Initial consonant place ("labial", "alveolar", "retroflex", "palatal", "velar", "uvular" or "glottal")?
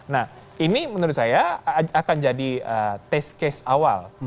alveolar